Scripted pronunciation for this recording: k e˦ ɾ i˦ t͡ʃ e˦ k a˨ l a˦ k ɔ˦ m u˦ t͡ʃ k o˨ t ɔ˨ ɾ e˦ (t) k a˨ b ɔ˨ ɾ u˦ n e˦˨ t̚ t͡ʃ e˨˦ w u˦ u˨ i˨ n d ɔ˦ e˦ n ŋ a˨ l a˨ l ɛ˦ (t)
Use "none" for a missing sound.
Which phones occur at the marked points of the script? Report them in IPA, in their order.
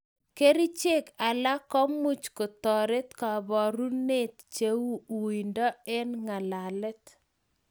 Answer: t, t

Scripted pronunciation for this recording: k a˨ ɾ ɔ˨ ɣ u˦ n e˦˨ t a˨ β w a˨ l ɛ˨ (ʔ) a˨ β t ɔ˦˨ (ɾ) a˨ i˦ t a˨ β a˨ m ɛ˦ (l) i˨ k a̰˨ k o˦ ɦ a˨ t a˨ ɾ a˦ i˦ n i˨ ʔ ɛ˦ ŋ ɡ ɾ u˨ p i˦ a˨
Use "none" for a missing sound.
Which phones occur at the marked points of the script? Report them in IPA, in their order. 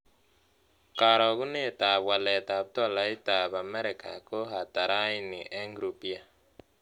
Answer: t, l, ɾ

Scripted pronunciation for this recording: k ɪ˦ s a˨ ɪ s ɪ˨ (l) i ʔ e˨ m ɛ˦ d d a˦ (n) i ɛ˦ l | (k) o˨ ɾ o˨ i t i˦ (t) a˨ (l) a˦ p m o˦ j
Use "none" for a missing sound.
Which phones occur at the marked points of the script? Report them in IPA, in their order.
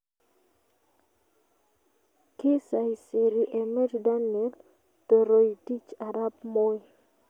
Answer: ɾ, n, t, t͡ʃ, ɾ

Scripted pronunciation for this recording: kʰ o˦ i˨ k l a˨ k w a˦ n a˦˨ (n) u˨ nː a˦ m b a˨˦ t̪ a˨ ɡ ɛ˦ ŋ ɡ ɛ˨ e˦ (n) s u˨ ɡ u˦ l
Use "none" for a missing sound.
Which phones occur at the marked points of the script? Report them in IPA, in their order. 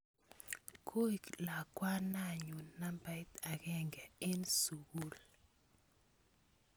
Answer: ɲ, n

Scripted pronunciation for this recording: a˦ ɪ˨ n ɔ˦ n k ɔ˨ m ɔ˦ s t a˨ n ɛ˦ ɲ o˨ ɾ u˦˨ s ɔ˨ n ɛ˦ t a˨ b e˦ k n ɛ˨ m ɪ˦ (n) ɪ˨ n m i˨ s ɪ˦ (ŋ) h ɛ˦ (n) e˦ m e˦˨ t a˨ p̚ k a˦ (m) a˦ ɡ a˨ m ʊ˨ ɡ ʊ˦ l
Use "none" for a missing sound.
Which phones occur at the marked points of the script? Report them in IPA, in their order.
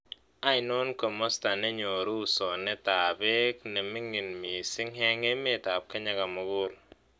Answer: ŋ, ŋ, ŋ, ɲ

